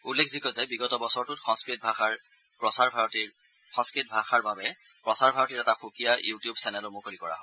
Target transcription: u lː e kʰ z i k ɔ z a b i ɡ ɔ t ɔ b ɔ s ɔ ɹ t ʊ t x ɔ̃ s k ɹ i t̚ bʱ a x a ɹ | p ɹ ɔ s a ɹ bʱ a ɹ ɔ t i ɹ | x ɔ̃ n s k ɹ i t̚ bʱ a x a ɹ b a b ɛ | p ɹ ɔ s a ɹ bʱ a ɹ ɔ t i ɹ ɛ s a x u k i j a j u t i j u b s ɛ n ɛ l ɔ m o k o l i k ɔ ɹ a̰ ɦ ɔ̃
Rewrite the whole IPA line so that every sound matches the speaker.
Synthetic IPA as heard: u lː e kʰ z i k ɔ z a b i ɡ ɔ t ɔ b ɔ s ɔ ɹ t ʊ t x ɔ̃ s k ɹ i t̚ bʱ a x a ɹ | p ɹ ɔ s a ɹ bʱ a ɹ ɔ t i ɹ | x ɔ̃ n s k ɹ i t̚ bʱ a x a ɹ b a b ɛ | p ɹ ɔ s a ɹ bʱ a ɹ ɔ t i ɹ ɛ t a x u k i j a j u t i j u b s ɛ n ɛ l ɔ m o k o l i k ɔ ɹ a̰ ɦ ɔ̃